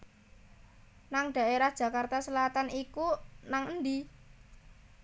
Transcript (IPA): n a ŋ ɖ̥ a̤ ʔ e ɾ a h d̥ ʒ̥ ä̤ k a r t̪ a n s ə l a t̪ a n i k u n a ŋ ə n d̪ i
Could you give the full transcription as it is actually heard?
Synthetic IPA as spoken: n a ŋ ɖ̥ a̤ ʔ e ɾ a h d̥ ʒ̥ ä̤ k a r t̪ a s ə l a t̪ a n i k u n a ŋ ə n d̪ i